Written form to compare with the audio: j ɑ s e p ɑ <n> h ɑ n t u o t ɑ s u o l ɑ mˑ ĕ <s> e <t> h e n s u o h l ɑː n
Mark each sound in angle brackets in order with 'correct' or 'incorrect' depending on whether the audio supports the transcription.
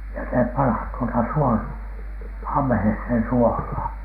correct, incorrect: h, incorrect: s

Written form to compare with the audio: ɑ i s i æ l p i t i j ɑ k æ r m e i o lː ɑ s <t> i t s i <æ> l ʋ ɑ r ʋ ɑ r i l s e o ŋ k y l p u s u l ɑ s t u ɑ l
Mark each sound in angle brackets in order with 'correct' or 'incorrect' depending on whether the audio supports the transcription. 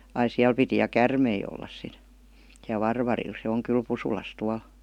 incorrect: s, correct

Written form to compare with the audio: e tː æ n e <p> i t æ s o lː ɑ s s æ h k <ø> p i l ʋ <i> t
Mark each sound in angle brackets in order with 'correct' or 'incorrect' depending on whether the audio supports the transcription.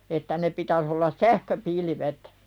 correct, correct, incorrect: e

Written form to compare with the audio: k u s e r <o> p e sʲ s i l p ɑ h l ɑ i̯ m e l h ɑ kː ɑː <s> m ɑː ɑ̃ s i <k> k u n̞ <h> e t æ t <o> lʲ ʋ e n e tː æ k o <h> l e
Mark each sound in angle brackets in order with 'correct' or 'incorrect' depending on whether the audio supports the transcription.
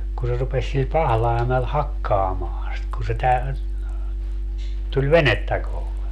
incorrect: u, incorrect: none, incorrect: t, incorrect: s, incorrect: u, correct

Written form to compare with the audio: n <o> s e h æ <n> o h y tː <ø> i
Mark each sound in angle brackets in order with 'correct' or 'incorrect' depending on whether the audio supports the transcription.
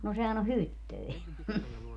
correct, correct, correct

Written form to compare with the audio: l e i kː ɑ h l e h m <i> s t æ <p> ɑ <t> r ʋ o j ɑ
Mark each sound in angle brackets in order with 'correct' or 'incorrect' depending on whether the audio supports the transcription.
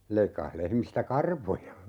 correct, incorrect: k, incorrect: none

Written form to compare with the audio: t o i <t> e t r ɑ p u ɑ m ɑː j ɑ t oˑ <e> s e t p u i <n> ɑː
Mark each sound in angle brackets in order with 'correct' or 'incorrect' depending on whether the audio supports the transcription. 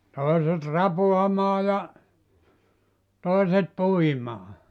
incorrect: s, incorrect: i, incorrect: m

